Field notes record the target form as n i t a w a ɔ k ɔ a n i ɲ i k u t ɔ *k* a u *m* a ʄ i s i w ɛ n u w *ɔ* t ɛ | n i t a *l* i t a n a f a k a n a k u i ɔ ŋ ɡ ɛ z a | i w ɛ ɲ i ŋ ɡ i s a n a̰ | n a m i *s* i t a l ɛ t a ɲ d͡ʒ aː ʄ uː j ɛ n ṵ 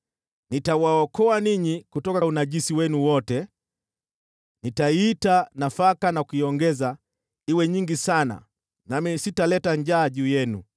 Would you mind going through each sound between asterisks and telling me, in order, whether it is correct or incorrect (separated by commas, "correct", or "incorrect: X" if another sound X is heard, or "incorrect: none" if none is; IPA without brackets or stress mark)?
correct, incorrect: n, correct, incorrect: none, correct